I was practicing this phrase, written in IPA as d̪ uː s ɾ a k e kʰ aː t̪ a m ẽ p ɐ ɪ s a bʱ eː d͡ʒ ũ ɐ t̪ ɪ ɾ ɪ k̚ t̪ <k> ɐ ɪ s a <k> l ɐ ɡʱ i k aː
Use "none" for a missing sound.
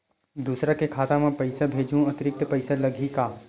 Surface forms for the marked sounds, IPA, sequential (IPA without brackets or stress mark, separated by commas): p, none